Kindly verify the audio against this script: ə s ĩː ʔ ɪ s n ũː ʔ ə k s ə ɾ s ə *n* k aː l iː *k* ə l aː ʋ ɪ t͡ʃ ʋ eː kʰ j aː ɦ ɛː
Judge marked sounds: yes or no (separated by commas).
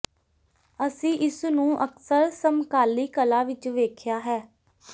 no, yes